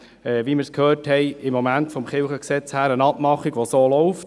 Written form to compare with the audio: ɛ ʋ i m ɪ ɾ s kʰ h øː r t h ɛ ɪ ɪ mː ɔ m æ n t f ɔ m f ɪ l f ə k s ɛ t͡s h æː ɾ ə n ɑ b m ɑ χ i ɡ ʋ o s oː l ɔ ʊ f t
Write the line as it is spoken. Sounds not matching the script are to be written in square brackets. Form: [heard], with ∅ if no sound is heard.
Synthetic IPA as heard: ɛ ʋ i m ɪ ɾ s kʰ h øː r t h ɛ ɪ ɪ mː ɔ m æ n t f ɔ m [χ] ɪ l [χ] ə k s ɛ t͡s h æː ɾ ə n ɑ [p] m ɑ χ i ɡ ʋ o s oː l ɔ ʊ f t